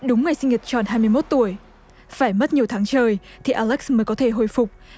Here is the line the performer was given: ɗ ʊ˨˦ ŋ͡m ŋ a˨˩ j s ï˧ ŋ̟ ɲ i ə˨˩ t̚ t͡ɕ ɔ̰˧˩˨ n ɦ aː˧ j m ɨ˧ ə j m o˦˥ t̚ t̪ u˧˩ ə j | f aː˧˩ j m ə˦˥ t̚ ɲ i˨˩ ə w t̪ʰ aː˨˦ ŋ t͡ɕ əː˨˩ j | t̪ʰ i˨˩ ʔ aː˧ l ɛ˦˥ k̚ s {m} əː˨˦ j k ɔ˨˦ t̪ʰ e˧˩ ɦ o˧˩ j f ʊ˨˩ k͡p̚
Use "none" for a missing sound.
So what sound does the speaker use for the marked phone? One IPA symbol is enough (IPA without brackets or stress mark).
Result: m